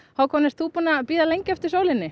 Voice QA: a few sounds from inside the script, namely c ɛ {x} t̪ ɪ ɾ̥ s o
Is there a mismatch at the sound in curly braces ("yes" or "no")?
yes